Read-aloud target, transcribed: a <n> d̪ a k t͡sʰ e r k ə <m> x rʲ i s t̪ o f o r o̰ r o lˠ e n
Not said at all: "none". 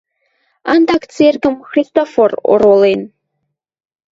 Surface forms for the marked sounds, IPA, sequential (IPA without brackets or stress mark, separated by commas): n, m